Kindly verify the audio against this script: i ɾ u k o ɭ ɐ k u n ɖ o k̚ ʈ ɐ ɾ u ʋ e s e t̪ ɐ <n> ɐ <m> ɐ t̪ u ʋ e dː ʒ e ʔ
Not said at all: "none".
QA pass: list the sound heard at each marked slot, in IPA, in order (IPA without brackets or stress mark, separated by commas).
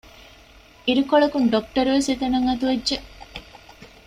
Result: n, ŋ